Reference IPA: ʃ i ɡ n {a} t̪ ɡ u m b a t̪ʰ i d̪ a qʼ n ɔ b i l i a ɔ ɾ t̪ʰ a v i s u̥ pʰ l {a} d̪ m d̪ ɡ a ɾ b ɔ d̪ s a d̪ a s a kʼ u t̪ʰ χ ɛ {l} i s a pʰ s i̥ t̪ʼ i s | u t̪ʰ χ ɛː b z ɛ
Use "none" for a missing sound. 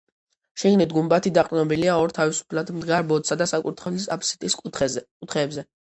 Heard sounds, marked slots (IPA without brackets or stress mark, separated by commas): i, a, l